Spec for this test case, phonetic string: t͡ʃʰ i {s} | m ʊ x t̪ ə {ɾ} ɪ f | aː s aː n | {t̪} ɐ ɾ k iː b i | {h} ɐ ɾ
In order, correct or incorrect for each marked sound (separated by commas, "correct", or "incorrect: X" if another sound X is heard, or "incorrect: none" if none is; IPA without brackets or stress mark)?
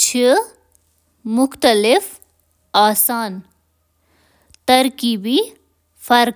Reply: incorrect: none, incorrect: l, correct, incorrect: f